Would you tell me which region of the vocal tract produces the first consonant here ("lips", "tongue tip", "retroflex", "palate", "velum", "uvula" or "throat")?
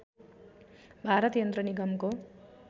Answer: lips